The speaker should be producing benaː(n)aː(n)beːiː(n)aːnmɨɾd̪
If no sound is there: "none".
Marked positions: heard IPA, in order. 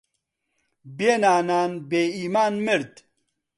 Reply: n, n, m

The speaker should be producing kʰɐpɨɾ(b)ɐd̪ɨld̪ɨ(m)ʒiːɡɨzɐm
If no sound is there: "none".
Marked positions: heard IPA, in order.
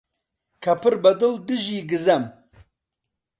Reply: b, none

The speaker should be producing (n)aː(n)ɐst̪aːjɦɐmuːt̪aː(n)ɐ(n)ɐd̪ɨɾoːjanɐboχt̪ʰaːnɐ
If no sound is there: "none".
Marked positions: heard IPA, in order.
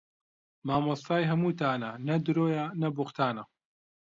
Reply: m, m, n, n

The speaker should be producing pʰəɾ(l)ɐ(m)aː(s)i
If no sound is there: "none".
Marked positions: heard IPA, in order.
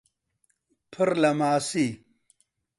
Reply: l, m, s

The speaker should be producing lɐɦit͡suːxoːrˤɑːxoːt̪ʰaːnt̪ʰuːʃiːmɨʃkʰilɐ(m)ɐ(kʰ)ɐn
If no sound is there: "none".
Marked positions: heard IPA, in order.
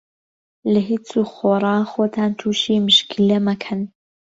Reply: m, kʰ

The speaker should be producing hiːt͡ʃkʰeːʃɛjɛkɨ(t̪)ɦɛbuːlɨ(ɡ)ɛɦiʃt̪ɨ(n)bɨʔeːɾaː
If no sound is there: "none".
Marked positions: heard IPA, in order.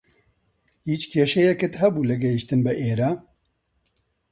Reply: t̪, ɡ, n

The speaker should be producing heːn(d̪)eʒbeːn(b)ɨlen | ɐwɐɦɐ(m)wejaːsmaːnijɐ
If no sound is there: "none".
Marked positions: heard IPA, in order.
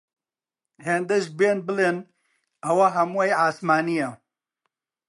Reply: d̪, b, m

